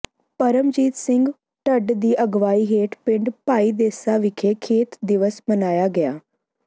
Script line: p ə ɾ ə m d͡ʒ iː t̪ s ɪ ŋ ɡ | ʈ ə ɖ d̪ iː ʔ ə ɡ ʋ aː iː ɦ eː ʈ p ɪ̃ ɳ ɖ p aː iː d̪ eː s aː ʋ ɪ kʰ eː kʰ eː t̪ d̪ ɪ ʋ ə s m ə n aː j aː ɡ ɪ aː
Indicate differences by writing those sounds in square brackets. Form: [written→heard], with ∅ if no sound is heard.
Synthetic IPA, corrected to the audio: p ə ɾ ə m d͡ʒ iː t̪ s ɪ ŋ ɡ | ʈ ə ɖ d̪ iː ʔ ə ɡ ʋ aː iː ɦ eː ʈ p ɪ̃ ɳ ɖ p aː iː d̪ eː s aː ʋ ɪ kʰ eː kʰ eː t̪ d̪ ɪ ʋ ə s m ə n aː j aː ɡ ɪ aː